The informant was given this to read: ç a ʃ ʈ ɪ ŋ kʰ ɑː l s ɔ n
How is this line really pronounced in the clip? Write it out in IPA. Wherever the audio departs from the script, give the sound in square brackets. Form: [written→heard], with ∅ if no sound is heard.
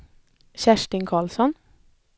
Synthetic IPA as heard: ç [a→æ] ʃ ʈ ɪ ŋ kʰ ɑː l s ɔ n